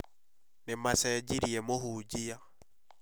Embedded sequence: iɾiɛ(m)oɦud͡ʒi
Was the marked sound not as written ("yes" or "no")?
no